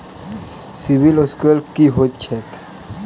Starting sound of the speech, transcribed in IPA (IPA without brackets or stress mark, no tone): s